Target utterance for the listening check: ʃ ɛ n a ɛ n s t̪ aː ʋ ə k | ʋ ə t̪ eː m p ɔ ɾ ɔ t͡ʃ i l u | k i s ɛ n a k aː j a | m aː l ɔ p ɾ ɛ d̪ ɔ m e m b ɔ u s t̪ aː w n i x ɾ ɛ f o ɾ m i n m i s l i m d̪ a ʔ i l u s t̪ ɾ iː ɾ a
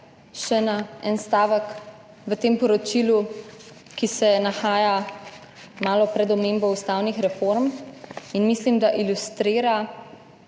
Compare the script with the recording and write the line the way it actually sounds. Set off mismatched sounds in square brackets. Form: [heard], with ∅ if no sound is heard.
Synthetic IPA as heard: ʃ ɛ n a ɛ n s t̪ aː ʋ ə k | ʋ ə t̪ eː m p ɔ ɾ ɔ t͡ʃ i l u | k i s ɛ n a [x] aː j a | m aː l ɔ p ɾ ɛ d̪ ɔ m e m b ɔ u s t̪ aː w n i x ɾ ɛ f o ɾ m i n m i s l i m d̪ a ʔ i l u s t̪ ɾ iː ɾ a